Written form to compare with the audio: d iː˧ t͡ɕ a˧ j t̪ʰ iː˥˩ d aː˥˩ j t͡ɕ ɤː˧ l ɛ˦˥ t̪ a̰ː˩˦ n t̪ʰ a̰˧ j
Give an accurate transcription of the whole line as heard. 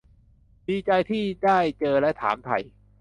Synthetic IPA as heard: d iː˧ t͡ɕ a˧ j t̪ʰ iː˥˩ d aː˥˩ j t͡ɕ ɤː˧ l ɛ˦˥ t̪ʰ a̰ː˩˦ m t̪ʰ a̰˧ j